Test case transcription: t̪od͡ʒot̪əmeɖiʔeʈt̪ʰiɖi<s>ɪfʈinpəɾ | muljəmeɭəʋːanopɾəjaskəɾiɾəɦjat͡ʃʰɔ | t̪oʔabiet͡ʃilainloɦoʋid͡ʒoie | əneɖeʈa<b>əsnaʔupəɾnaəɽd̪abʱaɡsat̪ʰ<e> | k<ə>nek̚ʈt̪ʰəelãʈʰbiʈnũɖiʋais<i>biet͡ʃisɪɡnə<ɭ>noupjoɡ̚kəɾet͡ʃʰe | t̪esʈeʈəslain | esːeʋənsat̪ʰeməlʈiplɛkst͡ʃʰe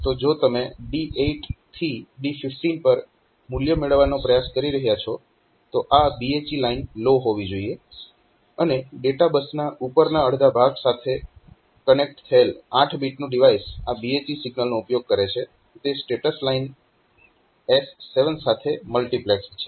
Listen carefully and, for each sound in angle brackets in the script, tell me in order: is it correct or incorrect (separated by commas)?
incorrect, correct, correct, correct, incorrect, incorrect